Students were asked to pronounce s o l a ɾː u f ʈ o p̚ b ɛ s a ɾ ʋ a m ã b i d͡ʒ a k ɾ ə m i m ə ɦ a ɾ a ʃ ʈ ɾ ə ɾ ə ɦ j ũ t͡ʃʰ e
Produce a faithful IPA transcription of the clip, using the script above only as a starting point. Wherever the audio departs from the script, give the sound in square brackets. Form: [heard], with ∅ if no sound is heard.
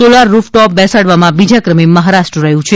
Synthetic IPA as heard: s o l a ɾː u f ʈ [ɔ] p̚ b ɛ s a [ɽ] ʋ a m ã b i d͡ʒ a k ɾ ə m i m ə ɦ a ɾ a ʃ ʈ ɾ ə ɾ ə ɦ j ũ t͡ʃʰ e